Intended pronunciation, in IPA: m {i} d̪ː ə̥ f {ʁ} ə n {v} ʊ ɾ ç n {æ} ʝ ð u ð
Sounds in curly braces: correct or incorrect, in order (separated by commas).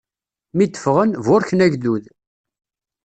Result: correct, correct, correct, correct